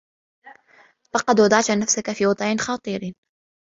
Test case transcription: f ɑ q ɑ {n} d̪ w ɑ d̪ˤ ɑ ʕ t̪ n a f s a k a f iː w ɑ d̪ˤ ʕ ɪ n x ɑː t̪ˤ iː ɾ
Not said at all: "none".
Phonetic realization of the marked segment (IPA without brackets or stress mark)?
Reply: none